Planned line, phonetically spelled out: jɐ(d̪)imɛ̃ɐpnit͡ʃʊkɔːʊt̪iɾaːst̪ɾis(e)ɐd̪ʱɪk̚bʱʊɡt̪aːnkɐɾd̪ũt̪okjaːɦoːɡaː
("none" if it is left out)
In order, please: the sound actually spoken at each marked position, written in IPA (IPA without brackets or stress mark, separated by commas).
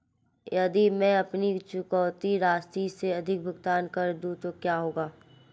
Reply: d̪, e